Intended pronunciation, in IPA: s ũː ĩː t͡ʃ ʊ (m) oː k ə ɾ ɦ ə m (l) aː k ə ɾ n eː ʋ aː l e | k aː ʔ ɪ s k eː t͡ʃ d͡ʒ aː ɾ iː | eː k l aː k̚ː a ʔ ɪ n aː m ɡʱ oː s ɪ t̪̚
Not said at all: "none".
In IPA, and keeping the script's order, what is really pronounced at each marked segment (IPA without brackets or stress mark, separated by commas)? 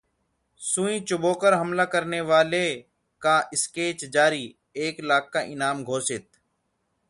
b, l